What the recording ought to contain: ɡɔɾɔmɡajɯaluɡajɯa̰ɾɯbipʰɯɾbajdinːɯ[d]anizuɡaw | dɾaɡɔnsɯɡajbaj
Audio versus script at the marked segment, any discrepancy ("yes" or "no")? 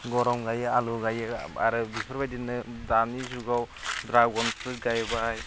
no